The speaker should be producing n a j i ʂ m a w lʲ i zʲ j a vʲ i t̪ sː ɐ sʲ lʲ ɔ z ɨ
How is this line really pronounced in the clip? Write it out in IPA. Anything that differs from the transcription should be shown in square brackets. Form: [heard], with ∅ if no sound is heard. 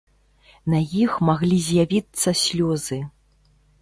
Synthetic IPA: n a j i [x] m a [ɣ] lʲ i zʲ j a vʲ i t̪ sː ɐ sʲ lʲ ɔ z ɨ

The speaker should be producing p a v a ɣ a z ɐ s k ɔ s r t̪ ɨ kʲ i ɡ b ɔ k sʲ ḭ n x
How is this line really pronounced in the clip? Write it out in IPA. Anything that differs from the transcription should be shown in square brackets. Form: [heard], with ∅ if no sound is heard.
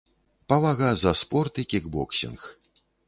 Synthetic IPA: p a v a ɣ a z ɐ s [p] ɔ [∅] r t̪ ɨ kʲ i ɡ b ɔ k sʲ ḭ n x

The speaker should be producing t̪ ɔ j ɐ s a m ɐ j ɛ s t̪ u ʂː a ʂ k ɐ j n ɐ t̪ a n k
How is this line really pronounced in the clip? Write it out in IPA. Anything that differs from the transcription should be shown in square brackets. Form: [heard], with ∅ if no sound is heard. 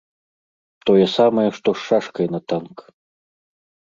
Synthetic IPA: t̪ ɔ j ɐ s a m ɐ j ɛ [ʂ] t̪ [ɔ] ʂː a ʂ k ɐ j n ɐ t̪ a n k

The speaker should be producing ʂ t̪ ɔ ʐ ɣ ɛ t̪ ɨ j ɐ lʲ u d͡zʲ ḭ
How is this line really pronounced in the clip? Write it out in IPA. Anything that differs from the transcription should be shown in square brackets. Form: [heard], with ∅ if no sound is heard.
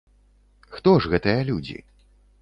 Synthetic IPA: [x] t̪ ɔ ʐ ɣ ɛ t̪ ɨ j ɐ lʲ u d͡zʲ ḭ

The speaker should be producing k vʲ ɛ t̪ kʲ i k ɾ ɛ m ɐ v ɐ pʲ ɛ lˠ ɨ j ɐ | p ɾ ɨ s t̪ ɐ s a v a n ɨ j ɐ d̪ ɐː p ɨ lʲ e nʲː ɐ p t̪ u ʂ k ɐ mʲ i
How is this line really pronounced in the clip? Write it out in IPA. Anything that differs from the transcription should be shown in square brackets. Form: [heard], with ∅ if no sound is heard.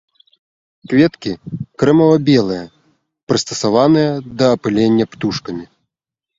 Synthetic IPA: k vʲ ɛ t̪ kʲ i k ɾ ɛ m ɐ v ɐ [bʲ] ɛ lˠ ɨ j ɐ | p ɾ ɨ s t̪ ɐ s a v a n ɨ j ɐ d̪ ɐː p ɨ lʲ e nʲː ɐ p t̪ u ʂ k ɐ mʲ i

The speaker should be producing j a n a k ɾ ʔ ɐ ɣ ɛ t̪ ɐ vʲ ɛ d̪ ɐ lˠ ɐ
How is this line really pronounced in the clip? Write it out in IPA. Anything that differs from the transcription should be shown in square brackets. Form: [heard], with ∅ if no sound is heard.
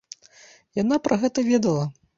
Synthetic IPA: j a n a [p] ɾ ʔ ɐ ɣ ɛ t̪ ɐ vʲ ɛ d̪ ɐ lˠ ɐ

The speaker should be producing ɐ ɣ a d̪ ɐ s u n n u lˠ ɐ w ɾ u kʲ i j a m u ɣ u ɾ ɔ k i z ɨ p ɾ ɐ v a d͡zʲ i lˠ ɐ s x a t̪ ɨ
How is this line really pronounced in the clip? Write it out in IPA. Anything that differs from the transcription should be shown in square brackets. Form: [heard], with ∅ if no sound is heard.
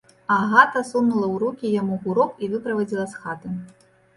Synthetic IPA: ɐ ɣ a [t̪] ɐ s u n n u lˠ ɐ w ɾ u kʲ i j a m u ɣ u ɾ ɔ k i [v] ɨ p ɾ ɐ v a d͡zʲ i lˠ ɐ s x a t̪ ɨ

